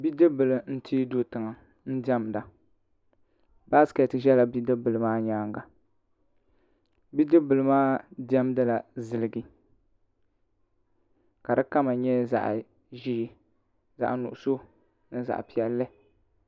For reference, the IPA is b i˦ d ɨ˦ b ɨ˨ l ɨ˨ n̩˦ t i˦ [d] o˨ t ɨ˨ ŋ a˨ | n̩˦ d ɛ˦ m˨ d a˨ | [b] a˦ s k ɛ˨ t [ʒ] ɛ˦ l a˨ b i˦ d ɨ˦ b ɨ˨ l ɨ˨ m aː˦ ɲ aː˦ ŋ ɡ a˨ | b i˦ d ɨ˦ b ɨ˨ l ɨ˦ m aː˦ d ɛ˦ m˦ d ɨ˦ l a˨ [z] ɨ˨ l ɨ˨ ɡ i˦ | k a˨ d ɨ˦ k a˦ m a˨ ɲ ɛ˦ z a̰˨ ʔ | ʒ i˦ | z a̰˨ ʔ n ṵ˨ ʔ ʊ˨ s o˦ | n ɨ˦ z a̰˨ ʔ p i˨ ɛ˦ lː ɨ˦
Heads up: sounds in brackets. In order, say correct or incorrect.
correct, correct, correct, correct

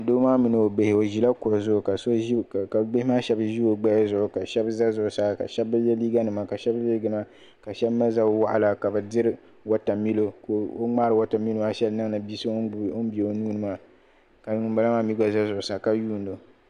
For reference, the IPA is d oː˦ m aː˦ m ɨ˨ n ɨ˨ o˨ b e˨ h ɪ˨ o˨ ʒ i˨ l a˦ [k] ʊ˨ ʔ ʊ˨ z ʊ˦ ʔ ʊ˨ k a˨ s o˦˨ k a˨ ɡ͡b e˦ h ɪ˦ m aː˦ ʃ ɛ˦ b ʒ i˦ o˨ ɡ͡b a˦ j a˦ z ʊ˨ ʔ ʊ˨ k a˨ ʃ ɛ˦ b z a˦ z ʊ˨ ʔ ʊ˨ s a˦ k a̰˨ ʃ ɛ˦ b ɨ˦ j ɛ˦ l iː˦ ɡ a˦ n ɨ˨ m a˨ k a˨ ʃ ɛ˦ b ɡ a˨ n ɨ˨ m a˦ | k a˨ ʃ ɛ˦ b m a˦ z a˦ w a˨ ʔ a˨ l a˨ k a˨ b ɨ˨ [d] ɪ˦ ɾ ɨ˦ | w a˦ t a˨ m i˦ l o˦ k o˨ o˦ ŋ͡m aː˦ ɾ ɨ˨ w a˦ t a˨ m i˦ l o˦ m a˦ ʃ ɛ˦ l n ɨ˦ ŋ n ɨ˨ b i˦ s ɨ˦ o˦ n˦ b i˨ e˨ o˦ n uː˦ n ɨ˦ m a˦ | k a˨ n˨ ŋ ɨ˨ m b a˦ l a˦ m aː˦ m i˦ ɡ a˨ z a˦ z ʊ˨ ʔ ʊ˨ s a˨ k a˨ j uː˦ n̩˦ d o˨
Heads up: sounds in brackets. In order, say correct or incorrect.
correct, correct

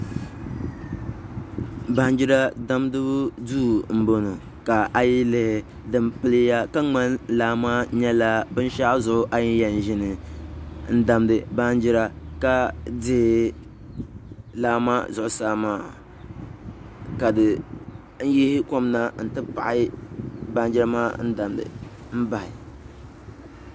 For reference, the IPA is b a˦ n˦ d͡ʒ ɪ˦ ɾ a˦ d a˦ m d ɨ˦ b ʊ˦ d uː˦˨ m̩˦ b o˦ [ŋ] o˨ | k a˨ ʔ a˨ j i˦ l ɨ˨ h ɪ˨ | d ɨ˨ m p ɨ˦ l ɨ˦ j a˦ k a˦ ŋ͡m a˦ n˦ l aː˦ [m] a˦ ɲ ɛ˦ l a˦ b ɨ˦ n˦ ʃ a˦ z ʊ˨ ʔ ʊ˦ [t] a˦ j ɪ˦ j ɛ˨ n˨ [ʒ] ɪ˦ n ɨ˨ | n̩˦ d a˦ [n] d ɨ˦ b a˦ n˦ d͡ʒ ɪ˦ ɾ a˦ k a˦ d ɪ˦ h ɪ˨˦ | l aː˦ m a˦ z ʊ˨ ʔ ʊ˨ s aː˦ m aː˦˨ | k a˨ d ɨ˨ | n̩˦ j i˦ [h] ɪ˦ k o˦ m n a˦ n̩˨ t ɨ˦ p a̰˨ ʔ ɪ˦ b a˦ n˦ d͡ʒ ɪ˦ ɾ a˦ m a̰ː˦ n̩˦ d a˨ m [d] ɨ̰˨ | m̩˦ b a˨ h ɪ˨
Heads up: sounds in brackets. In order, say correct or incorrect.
incorrect: n, correct, incorrect: ʔ, correct, incorrect: m, correct, correct

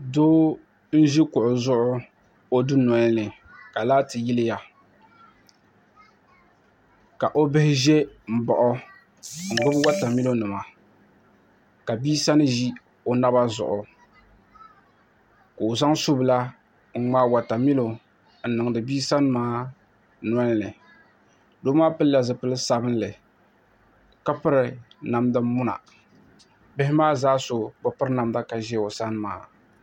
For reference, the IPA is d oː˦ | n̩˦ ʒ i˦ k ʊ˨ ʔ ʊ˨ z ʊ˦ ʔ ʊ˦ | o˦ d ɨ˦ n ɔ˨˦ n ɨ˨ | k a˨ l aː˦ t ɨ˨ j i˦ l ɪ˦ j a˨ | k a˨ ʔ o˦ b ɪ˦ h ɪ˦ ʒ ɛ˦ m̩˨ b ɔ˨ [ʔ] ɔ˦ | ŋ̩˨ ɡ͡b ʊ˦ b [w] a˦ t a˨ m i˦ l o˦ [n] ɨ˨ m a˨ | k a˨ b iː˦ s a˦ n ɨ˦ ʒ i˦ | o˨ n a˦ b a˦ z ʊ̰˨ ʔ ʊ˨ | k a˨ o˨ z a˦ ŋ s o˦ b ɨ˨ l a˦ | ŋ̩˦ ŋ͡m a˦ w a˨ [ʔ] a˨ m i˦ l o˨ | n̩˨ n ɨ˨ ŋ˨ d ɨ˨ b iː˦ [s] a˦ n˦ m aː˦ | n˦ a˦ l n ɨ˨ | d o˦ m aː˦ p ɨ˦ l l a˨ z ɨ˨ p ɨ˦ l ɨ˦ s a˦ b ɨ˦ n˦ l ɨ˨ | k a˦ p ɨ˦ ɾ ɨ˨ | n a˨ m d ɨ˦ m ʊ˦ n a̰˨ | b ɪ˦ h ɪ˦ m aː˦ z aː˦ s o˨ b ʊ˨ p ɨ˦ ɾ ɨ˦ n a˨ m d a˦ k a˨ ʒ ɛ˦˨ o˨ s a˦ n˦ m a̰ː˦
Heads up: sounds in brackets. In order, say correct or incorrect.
correct, correct, correct, incorrect: t, correct

